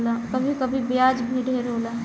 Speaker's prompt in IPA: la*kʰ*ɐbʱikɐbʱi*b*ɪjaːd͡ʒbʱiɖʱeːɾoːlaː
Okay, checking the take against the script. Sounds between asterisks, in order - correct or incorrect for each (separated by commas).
incorrect, correct